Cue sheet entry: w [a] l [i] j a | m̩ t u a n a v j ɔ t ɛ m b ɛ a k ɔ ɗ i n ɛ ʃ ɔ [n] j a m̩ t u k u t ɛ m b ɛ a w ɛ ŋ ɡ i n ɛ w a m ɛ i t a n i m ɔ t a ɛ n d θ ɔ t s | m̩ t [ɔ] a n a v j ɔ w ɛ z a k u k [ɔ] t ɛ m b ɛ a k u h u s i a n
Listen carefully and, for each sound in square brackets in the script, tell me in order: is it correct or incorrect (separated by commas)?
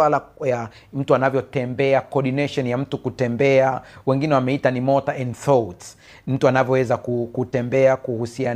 correct, incorrect, correct, incorrect, incorrect